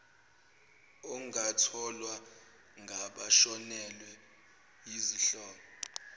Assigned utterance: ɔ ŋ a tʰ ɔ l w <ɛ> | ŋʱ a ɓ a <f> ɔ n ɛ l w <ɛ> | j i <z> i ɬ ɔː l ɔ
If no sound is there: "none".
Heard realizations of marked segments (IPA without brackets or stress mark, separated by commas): a, ʃ, ɛ, z